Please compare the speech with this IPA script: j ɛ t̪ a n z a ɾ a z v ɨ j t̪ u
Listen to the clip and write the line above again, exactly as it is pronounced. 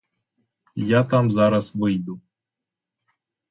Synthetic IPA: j a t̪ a m z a ɾ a s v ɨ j d̪ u